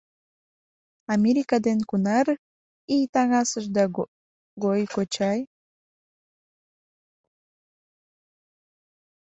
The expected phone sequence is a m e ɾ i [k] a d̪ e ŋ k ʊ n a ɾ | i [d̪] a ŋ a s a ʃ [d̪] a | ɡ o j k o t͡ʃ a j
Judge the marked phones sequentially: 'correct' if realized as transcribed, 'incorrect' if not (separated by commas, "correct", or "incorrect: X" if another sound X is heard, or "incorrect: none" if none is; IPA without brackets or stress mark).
correct, incorrect: t̪, correct